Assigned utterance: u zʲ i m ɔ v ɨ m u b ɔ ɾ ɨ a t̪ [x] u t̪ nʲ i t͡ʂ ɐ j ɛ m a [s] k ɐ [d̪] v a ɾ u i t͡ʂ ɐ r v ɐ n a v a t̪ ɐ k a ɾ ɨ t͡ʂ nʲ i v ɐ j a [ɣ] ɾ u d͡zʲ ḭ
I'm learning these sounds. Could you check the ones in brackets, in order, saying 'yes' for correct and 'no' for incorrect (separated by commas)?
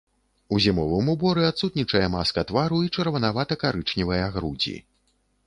no, yes, no, yes